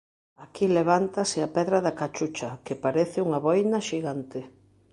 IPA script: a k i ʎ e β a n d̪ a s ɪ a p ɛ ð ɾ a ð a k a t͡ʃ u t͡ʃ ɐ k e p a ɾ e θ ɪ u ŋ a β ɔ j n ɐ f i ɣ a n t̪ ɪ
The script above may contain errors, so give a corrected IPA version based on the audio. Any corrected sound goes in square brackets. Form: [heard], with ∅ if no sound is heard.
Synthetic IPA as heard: a k i [l] e β a n [t̪] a s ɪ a p ɛ ð ɾ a ð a k a t͡ʃ u t͡ʃ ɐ k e p a ɾ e θ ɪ u ŋ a β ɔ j n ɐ [ʃ] i ɣ a n t̪ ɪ